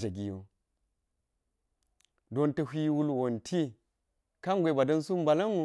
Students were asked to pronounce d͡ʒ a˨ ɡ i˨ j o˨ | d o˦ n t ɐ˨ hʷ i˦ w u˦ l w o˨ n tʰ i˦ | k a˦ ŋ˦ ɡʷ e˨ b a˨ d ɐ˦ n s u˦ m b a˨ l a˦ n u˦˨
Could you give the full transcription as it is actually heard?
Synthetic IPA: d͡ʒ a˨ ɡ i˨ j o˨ | d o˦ n t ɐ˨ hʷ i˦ w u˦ l w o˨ n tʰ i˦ | k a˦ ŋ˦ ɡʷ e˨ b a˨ d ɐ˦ n s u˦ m b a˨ l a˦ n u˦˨